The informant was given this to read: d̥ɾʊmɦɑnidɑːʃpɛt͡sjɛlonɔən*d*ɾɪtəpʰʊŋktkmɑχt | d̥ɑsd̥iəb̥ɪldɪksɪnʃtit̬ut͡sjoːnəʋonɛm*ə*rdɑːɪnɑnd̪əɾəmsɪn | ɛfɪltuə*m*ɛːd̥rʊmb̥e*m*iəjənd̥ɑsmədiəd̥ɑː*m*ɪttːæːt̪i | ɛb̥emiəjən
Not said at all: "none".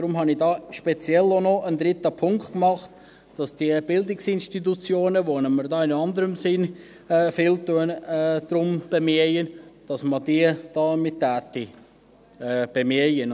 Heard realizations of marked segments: d, ə, n, m, m

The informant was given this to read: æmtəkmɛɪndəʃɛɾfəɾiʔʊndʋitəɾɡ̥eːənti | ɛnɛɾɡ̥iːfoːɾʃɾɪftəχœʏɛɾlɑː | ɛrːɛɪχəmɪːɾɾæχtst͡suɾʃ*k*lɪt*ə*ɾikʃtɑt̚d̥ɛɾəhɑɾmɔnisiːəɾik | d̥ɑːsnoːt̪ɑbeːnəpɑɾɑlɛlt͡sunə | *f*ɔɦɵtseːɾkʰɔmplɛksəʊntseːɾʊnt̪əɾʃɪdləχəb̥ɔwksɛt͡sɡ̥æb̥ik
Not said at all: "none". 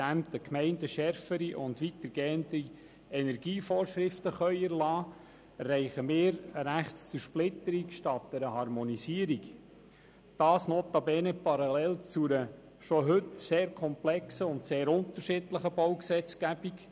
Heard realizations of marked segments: p, ə, ʃ

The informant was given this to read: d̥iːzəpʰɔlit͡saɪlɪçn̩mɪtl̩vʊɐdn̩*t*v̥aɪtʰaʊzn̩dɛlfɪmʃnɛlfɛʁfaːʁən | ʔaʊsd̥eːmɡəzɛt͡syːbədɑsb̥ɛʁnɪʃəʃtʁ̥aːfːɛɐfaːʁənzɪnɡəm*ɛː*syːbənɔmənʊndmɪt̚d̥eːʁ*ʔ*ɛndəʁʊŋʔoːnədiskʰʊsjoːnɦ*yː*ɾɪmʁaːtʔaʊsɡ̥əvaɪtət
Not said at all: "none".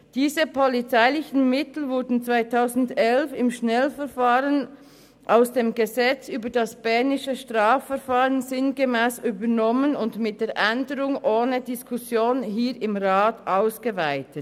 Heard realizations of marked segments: t͡s, ɛː, ʔ, iː

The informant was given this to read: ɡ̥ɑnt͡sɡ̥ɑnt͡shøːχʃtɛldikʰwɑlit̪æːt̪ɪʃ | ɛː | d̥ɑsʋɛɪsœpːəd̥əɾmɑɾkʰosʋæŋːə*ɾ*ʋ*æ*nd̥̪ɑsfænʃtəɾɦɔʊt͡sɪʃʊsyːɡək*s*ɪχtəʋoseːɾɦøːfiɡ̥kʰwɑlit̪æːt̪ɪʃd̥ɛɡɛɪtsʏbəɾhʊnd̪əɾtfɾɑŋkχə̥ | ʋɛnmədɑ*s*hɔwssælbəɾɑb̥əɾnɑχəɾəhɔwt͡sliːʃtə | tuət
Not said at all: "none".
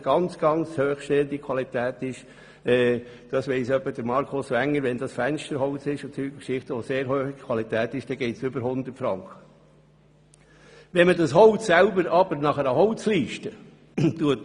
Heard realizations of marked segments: ɾ, ɛ, ʃ, s

